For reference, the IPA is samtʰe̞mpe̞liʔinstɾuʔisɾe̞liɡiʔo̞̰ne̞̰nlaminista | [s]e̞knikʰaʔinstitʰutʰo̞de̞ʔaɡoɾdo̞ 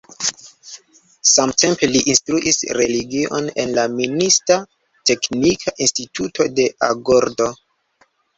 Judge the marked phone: incorrect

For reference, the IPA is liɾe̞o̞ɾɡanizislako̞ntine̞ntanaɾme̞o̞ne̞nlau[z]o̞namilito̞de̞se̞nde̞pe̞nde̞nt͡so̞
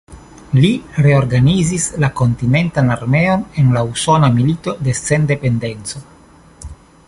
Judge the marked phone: incorrect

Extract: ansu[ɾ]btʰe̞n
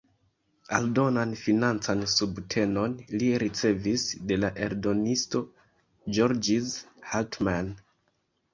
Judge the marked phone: incorrect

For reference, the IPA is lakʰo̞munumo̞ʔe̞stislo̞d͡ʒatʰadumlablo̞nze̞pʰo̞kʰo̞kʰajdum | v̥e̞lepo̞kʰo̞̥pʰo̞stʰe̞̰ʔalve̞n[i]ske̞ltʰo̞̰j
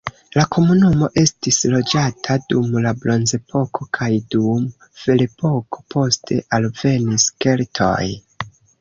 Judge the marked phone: correct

